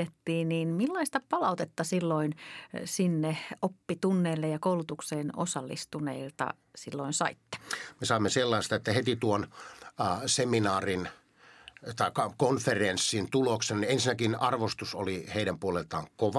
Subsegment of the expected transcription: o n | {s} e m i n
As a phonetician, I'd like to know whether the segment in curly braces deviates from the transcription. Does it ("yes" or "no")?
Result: no